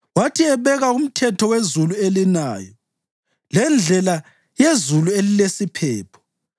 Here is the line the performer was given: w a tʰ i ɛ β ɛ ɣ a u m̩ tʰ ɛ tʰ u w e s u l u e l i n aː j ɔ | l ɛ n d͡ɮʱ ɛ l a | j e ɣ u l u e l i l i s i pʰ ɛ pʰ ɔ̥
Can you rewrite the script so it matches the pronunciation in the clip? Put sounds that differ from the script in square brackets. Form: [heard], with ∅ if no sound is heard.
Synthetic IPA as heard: w a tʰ i ɛ β ɛ ɣ a u m̩ tʰ ɛ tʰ [ɔ] w e [z] u l u e l i n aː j ɔ | l ɛ n d͡ɮʱ ɛ l a | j e [z] u l u e l i l [e] s i pʰ [ɛː] pʰ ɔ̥